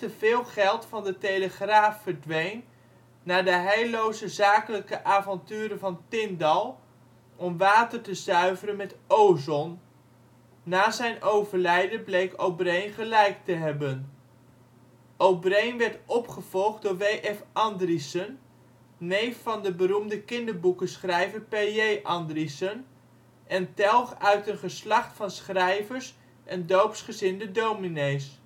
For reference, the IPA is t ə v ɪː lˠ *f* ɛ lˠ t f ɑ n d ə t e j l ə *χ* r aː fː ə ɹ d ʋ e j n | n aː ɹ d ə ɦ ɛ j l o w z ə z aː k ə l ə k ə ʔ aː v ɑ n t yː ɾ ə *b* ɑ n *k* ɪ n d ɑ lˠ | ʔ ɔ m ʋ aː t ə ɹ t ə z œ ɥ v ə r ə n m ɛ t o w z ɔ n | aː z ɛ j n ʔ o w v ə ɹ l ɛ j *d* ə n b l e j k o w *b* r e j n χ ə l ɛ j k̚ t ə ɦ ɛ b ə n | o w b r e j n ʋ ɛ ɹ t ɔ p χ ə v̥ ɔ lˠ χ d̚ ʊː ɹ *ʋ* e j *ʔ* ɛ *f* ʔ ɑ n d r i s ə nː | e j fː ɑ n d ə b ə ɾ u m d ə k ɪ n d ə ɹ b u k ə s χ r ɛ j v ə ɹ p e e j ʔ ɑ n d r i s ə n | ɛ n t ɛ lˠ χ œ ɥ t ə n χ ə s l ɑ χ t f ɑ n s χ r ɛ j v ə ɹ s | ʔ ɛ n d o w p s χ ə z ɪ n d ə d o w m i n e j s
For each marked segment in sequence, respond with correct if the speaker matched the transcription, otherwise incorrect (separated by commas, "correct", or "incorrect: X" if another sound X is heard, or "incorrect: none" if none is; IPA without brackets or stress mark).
incorrect: χ, correct, incorrect: v, incorrect: t, correct, correct, correct, correct, correct